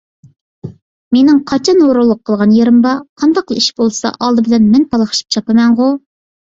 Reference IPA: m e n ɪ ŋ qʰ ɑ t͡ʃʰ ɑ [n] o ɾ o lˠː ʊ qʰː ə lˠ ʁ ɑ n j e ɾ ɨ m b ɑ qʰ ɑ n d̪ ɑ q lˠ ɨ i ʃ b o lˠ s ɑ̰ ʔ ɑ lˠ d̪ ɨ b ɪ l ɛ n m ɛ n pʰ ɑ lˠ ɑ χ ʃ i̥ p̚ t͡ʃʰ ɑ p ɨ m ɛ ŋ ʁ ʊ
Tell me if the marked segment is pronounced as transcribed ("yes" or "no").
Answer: yes